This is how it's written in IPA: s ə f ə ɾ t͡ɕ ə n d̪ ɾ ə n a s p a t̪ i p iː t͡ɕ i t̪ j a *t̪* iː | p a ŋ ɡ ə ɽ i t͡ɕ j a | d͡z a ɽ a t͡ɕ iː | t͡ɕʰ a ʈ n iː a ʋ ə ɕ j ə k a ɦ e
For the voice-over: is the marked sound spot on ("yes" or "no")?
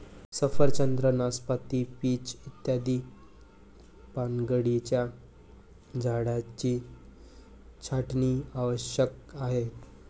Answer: no